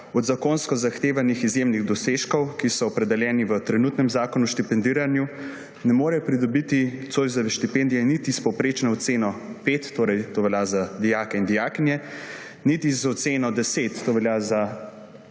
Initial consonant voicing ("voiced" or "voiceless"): voiced